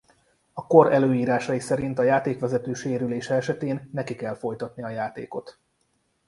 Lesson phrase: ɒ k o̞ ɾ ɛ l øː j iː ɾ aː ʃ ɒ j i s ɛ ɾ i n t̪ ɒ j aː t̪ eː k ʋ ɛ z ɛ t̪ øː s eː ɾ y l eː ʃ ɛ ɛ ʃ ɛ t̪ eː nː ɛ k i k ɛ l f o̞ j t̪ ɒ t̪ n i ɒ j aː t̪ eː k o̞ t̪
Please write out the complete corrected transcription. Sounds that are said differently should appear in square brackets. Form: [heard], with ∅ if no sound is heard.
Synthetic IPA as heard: ɒ k o̞ ɾ ɛ l øː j iː ɾ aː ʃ ɒ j i s ɛ ɾ i n t̪ ɒ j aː t̪ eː k ʋ ɛ z ɛ t̪ øː [ʃ] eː ɾ y l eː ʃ ɛ ɛ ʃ ɛ t̪ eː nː ɛ k i k ɛ l f o̞ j t̪ ɒ t̪ n i ɒ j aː t̪ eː k o̞ t̪